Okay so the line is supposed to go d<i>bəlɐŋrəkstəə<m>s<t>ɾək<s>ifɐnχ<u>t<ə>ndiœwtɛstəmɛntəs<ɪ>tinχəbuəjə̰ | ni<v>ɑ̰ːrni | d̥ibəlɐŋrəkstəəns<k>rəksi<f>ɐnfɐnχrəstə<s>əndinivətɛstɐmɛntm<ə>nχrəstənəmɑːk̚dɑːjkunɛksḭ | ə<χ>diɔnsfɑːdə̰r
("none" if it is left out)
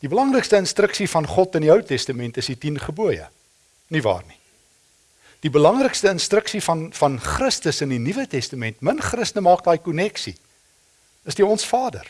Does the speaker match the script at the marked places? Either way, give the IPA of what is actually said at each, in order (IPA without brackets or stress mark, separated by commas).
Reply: i, n, t, s, ɔ, ə, i, v, t, f, s, ə, s